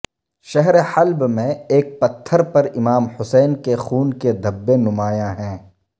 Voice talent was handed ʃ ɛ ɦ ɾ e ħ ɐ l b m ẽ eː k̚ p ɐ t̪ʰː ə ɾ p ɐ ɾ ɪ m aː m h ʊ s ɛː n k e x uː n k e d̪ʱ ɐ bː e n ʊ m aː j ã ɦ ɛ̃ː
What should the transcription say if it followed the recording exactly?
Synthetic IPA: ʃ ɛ ɦ ɾ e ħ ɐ l b m ẽ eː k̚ p ɐ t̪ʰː ə ɾ p ɐ ɾ ɪ m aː m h ʊ s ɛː n k e x uː n k e d̪ʱ ɐ bː e n ʊ m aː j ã ɦ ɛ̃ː